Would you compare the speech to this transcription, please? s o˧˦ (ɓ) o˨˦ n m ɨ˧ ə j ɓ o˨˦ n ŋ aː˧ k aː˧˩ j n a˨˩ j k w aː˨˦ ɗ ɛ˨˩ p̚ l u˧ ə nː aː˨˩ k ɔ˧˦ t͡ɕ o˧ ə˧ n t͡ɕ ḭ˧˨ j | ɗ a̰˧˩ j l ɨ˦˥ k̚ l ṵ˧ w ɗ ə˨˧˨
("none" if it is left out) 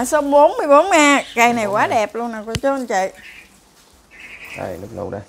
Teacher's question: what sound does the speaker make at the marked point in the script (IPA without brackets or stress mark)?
ɓ